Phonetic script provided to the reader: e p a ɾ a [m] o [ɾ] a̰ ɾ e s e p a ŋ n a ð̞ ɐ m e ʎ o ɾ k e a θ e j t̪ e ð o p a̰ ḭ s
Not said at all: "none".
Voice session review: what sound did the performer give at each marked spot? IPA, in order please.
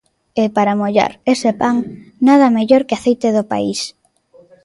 m, ʎ

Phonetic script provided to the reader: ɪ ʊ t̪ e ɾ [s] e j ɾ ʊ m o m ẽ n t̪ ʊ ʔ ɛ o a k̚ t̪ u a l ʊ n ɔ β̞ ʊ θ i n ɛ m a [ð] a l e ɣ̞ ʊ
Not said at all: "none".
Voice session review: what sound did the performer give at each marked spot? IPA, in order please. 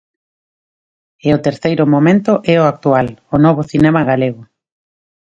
θ, ɣ

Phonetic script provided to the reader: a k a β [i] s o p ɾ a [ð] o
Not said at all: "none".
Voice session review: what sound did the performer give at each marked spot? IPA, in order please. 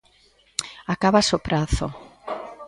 a, θ

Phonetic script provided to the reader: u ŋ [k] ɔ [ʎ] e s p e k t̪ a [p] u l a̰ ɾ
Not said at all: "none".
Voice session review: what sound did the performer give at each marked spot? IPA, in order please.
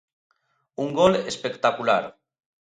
ɡ, l, k

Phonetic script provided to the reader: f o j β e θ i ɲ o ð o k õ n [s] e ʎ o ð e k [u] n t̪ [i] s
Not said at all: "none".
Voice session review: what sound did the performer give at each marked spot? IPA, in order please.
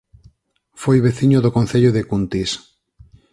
θ, u, i

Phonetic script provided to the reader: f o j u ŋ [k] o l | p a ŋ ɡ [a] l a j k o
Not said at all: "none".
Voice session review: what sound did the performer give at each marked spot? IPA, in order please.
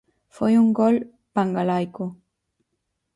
ɡ, a

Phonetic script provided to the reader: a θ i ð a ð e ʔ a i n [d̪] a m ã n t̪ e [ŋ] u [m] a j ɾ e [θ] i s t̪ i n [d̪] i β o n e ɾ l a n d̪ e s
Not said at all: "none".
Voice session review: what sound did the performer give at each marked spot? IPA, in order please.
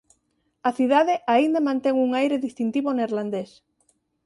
d̪, ŋ, ŋ, ð, t̪

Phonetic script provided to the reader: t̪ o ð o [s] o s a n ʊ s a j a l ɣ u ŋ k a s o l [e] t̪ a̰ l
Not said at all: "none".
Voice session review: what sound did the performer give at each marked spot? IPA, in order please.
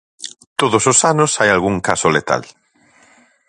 s, e

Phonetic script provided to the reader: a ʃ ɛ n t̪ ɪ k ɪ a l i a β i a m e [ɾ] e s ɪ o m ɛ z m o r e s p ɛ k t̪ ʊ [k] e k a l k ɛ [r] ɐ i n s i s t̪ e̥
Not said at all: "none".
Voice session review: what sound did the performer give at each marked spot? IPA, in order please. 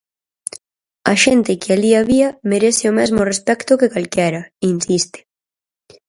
ɾ, k, ɾ

